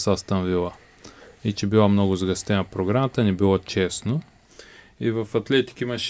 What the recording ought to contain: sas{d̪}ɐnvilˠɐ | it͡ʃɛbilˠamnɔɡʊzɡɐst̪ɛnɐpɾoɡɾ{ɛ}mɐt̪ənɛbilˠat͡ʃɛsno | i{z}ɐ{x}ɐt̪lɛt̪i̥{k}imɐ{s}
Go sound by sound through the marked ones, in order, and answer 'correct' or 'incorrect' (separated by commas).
incorrect, incorrect, incorrect, incorrect, correct, incorrect